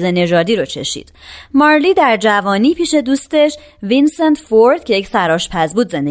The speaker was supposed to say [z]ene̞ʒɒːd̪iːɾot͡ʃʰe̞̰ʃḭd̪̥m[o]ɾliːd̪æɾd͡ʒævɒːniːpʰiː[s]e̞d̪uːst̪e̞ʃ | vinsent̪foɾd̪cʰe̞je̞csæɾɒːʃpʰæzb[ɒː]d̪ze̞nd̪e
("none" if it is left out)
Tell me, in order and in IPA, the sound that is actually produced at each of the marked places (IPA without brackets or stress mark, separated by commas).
z, ɒ, ʃ, uː